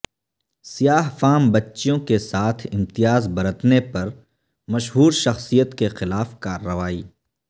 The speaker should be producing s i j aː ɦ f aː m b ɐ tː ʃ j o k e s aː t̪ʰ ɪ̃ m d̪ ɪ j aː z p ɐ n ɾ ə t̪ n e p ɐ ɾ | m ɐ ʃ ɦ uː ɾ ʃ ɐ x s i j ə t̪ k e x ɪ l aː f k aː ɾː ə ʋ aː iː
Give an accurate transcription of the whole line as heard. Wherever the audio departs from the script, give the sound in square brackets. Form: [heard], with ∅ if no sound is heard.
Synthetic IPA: s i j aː ɦ f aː m b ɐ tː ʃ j [õ] k e s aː t̪ʰ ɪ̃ m [t̪] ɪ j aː z [b] ɐ [∅] ɾ ə t̪ n e p ɐ ɾ | m ɐ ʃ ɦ uː ɾ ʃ ɐ x s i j ə t̪ k e x ɪ l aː f k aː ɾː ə ʋ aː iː

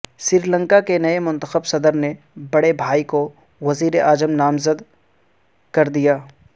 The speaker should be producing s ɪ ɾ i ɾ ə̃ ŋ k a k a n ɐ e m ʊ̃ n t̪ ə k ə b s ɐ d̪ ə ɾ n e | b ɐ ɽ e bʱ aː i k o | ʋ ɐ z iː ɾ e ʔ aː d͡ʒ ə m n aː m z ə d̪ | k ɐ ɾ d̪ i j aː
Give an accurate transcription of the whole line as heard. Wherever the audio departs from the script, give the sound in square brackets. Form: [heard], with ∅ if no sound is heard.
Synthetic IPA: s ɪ ɾ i [l] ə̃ ŋ k a k [e] n ɐ e m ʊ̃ n t̪ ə [x] ə b s ɐ d̪ ə ɾ n e | b ɐ ɽ e bʱ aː i k o | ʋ ɐ z iː ɾ e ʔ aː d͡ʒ ə m n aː m z ə d̪ | k ɐ ɾ d̪ i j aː

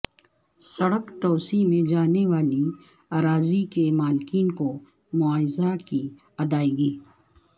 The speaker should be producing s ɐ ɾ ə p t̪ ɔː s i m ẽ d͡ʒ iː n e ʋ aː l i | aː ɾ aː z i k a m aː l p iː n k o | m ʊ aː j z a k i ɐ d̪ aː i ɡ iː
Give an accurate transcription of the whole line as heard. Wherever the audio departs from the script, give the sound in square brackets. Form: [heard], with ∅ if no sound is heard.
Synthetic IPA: s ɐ [ɽ] ə [k] t̪ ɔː s i m ẽ d͡ʒ [aː] n e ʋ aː l i | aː ɾ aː z i k [e] m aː l [k] iː n k o | m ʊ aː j z a k i ɐ d̪ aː i ɡ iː

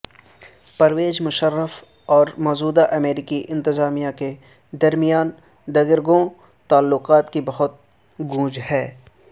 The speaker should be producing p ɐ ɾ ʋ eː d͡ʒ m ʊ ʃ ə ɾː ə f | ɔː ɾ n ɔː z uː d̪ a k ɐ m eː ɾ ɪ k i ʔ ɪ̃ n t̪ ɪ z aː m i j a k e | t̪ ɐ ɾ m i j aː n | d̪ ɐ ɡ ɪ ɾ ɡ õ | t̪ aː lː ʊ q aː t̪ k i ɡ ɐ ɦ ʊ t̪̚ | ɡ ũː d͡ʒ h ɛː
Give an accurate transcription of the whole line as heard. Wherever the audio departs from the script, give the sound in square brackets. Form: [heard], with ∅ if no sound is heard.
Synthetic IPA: p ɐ ɾ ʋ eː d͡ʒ m ʊ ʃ ə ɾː ə f | ɔː ɾ [m] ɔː z uː d̪ a [ʔ] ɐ m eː ɾ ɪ k i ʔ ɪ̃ n t̪ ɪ z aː m i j a k e | [d̪] ɐ ɾ m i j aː n | d̪ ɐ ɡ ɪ ɾ ɡ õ | t̪ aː lː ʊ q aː t̪ k i [b] ɐ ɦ ʊ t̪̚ | ɡ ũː d͡ʒ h ɛː

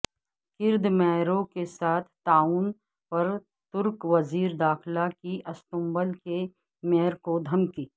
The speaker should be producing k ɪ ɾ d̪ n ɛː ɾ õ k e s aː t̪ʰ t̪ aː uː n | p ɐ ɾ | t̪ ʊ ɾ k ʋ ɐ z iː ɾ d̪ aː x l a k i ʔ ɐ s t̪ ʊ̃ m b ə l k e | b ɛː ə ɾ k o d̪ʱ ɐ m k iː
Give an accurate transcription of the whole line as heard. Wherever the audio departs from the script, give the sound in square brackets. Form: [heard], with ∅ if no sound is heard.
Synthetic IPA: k ɪ ɾ d̪ [m] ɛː ɾ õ k e s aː t̪ʰ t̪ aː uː n | p ɐ ɾ | t̪ ʊ ɾ k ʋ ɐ z iː ɾ d̪ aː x l a k i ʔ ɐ s t̪ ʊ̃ m b ə l k e | [m] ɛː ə ɾ k o d̪ʱ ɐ m k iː

